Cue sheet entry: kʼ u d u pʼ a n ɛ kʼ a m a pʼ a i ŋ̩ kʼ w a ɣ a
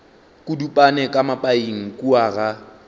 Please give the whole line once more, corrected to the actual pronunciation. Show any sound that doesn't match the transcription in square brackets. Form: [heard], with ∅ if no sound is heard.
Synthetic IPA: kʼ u d u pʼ a n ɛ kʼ a m a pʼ a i ŋ̩ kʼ [u] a ɣ a

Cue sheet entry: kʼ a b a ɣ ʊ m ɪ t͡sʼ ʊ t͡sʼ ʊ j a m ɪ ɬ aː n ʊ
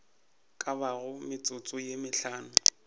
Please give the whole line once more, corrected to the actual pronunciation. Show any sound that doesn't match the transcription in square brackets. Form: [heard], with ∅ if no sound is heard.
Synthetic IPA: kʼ a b a ɣ ʊ m ɪ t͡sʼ ʊ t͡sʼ ʊ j [e] m ɪ ɬ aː n ʊ

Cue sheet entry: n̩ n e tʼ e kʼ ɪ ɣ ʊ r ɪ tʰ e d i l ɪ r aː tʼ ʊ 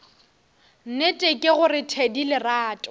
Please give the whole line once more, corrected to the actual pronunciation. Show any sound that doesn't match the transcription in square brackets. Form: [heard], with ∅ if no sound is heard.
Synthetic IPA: n̩ n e tʼ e kʼ ɪ ɣ ʊ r ɪ tʰ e d i l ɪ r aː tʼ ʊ

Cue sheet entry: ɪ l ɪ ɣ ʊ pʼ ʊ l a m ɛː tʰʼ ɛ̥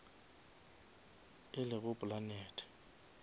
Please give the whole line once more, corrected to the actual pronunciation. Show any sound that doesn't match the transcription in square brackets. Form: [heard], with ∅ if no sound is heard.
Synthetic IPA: ɪ l ɪ ɣ ʊ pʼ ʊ l a [n] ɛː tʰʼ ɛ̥

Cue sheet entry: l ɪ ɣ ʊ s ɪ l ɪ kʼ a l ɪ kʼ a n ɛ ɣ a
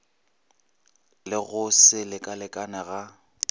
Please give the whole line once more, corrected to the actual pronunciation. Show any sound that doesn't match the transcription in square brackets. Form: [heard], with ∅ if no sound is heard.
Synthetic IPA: l ɪ ɣ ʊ s ɪ l ɪ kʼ a l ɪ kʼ a n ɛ ɣ a

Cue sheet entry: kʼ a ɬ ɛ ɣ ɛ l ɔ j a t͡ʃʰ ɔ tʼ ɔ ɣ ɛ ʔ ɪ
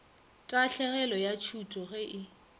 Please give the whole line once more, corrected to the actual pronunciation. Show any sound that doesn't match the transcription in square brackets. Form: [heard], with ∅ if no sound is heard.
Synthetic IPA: [tʼ] a ɬ ɛ ɣ ɛ l ɔ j a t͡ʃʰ [u] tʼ ɔ ɣ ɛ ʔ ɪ

